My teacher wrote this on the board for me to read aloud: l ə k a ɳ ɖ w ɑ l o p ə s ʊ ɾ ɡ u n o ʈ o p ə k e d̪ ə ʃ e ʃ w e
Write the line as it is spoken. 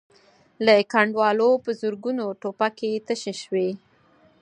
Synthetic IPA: l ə k a ɳ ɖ w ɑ l o p ə z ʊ ɾ ɡ u n o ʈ o p a k e t̪ ə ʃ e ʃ w e